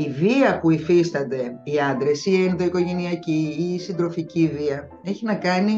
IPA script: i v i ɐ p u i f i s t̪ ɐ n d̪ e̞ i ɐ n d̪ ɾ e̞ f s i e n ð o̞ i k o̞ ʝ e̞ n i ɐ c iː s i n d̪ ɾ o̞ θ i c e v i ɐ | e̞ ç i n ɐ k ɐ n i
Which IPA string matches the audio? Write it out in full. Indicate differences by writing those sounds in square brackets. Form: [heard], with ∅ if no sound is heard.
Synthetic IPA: i v i ɐ p u i f i s t̪ ɐ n d̪ e̞ i ɐ n d̪ ɾ e̞ [∅] s i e n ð o̞ i k o̞ ʝ e̞ n i ɐ c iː s i n d̪ ɾ o̞ [f] i c [i] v i ɐ | e̞ ç i n ɐ k ɐ n i